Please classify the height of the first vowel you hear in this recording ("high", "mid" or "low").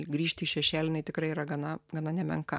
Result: high